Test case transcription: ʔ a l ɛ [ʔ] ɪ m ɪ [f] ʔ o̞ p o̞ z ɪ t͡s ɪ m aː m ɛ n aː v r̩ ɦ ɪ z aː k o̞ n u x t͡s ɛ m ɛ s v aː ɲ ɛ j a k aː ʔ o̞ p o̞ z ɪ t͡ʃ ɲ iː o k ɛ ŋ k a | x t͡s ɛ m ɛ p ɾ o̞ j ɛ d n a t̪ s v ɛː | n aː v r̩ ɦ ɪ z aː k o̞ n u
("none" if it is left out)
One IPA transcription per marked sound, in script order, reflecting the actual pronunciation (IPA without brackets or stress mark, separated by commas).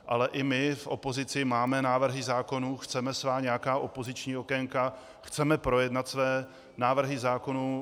ʔ, f